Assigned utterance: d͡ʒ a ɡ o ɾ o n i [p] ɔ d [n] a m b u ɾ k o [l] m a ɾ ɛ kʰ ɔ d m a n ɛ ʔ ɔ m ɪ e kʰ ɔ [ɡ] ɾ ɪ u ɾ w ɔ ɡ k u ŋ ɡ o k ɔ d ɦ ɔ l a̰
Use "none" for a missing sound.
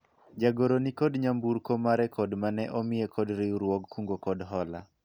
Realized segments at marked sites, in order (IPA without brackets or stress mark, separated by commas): k, ɲ, none, d